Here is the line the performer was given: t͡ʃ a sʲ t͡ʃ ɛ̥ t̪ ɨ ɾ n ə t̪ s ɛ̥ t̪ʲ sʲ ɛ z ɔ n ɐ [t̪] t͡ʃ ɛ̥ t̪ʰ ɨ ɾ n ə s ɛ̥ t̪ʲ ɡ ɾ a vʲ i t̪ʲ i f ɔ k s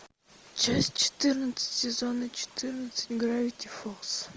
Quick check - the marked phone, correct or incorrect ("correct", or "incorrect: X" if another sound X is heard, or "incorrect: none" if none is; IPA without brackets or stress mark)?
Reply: incorrect: none